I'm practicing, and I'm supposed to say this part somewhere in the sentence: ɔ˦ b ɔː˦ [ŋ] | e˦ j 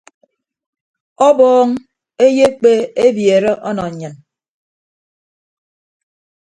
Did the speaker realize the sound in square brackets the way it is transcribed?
yes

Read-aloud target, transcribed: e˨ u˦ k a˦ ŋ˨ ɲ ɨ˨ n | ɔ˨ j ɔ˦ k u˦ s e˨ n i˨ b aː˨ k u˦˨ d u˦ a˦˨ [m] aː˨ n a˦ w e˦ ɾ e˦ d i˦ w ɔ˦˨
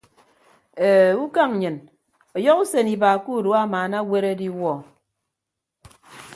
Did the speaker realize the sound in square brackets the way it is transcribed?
yes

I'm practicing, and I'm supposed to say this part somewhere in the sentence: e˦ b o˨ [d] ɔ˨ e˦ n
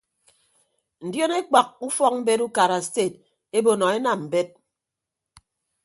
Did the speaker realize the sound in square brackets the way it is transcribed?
no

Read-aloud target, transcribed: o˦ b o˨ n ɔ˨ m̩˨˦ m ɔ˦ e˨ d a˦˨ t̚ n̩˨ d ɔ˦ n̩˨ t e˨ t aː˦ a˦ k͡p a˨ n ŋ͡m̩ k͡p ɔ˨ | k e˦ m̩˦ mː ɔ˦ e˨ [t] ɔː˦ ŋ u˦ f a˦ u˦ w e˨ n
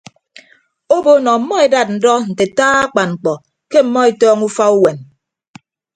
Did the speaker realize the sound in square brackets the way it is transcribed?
yes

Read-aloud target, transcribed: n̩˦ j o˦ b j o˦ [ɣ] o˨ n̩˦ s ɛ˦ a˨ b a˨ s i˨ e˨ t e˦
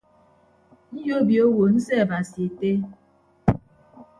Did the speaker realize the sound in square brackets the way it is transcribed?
no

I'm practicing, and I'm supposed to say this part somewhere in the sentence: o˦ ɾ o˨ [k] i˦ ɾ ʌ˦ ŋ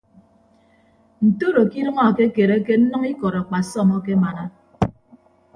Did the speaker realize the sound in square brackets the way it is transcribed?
yes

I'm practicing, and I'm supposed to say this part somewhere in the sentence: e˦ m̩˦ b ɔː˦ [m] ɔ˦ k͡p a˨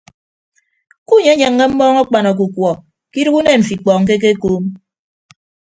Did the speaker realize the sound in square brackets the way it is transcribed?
no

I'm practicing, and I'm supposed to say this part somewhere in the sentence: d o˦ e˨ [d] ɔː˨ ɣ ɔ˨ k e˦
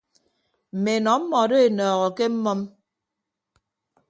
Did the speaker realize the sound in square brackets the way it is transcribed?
no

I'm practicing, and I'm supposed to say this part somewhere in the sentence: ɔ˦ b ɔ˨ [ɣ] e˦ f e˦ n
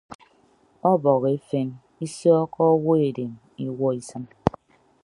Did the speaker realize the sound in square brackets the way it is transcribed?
yes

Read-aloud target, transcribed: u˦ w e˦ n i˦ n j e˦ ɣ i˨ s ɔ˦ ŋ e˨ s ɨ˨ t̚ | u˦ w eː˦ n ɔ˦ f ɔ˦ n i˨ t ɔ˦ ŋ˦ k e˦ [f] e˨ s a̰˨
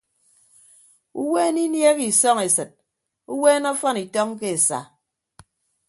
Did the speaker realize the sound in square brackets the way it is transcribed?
no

